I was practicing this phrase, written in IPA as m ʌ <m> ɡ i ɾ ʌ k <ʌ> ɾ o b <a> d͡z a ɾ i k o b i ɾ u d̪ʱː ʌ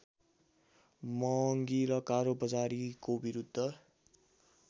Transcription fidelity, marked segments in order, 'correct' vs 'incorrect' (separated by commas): incorrect, incorrect, incorrect